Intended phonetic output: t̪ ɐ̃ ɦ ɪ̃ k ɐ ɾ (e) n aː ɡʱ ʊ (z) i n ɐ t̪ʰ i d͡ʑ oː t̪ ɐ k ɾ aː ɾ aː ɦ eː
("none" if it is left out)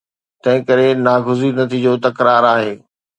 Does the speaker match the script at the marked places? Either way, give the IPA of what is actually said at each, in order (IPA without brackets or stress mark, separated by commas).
e, z